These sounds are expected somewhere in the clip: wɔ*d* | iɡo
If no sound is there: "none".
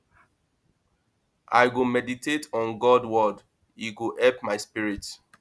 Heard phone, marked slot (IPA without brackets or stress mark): d